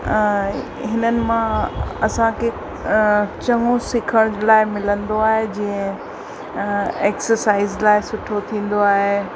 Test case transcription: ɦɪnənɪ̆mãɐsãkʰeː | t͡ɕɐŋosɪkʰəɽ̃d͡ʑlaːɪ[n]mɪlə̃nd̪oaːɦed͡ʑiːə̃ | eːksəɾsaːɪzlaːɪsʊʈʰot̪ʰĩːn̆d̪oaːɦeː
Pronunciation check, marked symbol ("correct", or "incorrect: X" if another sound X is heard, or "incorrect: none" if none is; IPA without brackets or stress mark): incorrect: none